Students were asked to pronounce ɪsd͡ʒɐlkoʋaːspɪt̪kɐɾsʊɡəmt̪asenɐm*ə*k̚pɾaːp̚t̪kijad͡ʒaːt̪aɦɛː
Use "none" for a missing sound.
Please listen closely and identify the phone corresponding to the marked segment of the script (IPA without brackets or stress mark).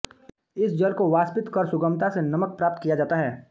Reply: ə